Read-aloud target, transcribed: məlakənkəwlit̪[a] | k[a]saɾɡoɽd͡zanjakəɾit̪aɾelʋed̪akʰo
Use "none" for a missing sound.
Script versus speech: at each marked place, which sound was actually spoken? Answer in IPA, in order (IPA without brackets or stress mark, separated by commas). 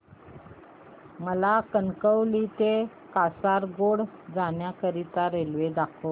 e, a